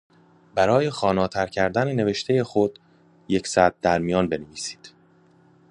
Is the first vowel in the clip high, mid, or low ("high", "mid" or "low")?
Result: low